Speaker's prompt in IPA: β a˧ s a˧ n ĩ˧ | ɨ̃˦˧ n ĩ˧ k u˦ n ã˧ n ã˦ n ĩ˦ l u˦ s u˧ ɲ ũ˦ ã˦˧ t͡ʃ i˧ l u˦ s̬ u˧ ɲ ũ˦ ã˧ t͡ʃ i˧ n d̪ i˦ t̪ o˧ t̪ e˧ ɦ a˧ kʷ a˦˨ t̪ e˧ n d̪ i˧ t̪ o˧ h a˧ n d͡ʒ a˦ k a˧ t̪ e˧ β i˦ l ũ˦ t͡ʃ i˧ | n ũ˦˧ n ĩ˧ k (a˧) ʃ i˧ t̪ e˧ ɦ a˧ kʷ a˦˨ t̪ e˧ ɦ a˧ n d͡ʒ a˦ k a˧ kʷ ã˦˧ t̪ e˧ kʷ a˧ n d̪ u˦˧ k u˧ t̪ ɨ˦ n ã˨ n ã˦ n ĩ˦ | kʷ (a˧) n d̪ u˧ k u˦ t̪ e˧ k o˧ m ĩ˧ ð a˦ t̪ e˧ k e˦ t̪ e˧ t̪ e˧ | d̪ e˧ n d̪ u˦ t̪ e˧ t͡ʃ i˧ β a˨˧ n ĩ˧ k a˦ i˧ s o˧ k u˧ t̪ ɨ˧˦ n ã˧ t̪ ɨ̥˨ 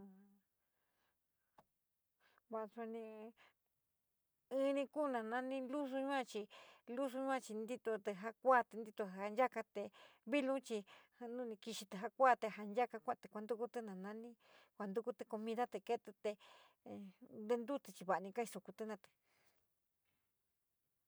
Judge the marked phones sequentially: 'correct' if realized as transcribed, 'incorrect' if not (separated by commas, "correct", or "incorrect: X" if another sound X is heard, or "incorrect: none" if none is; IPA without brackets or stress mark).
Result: incorrect: i˧, correct